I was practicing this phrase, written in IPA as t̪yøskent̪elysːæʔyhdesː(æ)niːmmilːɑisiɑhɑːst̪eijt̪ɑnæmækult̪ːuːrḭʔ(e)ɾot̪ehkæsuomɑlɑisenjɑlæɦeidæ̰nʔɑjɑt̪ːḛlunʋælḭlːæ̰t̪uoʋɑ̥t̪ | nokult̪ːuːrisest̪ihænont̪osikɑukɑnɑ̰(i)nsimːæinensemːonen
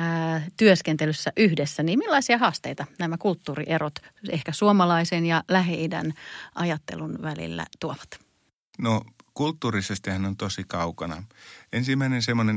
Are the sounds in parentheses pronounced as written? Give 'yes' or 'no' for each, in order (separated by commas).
yes, yes, no